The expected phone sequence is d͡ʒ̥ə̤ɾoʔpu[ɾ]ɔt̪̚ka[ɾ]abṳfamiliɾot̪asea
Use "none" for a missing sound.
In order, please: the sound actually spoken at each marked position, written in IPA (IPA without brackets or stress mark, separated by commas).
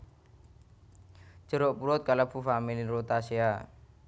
ɾ, l